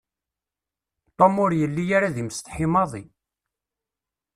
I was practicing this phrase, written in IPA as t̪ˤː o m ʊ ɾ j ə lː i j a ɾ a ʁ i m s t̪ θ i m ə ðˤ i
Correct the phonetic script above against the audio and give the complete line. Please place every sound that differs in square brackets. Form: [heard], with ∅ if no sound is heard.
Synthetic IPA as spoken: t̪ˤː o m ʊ ɾ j ə lː i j a ɾ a [ð] i m s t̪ [ħ] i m [ɑ] ðˤ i